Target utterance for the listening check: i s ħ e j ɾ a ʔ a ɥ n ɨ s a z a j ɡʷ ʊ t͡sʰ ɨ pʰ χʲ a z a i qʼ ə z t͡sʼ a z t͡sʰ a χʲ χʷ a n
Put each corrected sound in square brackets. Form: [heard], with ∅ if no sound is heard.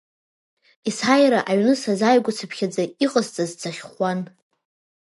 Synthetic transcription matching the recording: i s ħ [a] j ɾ a ʔ a ɥ n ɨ s a z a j ɡʷ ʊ t͡sʰ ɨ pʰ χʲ a [d͡z] a i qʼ ə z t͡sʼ a z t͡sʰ a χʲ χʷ a n